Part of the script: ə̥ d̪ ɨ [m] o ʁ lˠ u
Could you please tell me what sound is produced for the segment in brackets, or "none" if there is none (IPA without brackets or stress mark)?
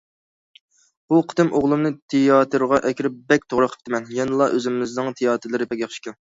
m